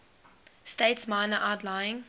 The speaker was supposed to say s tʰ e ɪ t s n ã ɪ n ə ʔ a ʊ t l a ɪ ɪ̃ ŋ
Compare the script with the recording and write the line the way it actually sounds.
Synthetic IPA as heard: s t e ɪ t s m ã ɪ n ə ʔ a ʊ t l a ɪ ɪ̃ ŋ